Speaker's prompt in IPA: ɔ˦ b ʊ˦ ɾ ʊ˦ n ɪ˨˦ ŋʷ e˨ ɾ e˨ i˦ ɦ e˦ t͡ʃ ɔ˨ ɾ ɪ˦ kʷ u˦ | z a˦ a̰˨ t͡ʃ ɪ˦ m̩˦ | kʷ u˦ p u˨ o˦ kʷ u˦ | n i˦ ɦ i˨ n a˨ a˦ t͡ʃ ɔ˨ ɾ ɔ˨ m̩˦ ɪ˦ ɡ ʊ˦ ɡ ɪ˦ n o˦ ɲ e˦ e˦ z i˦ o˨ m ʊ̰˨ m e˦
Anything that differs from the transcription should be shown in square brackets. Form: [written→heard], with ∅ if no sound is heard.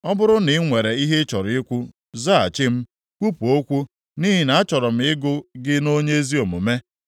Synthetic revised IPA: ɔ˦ b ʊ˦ ɾ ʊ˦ n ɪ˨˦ ŋʷ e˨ ɾ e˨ i˦ ɦ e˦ t͡ʃ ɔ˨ ɾ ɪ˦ kʷ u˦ | z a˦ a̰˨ t͡ʃ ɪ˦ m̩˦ | kʷ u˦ p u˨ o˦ kʷ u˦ | n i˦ ɦ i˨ n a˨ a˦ t͡ʃ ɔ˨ ɾ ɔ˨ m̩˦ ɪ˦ ɡ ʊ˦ ɡ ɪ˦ n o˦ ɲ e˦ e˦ z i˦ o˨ m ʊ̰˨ m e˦